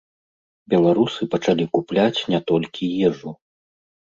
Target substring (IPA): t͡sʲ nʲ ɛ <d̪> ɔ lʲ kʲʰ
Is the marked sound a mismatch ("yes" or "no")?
yes